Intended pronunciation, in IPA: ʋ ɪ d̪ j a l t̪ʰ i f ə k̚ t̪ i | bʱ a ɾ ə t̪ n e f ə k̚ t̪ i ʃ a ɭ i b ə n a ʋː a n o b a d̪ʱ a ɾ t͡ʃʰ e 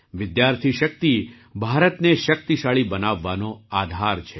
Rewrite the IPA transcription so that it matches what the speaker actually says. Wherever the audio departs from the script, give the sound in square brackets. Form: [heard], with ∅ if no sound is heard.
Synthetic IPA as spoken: ʋ ɪ d̪ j a [ɾ] t̪ʰ i [ʃ] ə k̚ t̪ i | bʱ a ɾ ə t̪ n e [ʃ] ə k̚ t̪ i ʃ a ɭ i b ə n a ʋː a n o [∅] a d̪ʱ a ɾ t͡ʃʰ e